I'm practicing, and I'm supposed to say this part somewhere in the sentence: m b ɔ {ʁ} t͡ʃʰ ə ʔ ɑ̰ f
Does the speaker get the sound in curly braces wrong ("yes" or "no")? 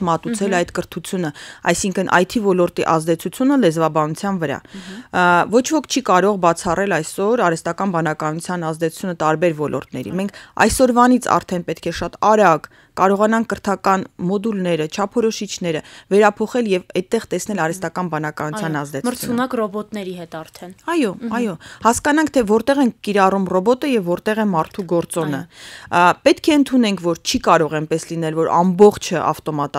yes